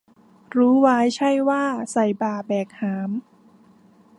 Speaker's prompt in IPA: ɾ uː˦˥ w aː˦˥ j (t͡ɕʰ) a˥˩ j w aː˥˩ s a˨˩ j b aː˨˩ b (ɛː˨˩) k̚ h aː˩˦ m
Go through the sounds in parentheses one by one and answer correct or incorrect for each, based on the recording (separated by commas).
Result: correct, correct